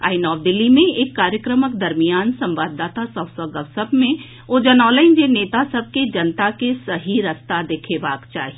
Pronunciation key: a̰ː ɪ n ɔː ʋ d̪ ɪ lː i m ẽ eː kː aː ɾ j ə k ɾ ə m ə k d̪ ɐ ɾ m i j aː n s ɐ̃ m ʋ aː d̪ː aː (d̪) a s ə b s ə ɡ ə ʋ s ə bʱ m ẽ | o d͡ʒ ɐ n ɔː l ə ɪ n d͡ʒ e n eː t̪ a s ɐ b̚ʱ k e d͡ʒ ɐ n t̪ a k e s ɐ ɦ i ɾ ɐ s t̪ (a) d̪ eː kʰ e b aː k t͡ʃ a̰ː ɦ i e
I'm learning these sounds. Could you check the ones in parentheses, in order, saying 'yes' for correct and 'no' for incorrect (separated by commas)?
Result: no, yes